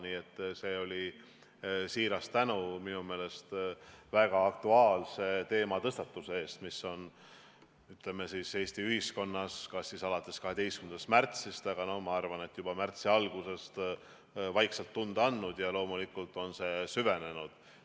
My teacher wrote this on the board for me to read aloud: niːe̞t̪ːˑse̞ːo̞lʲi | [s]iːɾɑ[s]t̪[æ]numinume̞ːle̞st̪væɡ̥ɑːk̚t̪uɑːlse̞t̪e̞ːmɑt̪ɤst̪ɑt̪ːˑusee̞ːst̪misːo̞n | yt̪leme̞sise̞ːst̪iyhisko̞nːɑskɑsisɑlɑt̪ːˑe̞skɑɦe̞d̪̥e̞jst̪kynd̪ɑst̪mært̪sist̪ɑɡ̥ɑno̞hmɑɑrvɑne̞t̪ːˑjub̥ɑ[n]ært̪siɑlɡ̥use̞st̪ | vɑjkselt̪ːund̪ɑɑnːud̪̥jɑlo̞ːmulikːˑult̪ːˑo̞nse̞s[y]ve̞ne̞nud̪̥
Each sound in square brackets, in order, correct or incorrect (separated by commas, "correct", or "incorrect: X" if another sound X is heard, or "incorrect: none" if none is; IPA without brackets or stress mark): correct, correct, correct, incorrect: m, correct